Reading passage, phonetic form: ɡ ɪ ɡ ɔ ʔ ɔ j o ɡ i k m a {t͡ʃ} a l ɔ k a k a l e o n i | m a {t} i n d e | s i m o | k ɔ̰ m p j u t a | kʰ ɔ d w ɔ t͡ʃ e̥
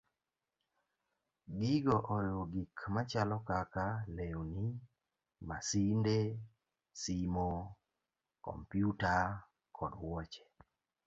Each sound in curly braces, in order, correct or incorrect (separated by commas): correct, incorrect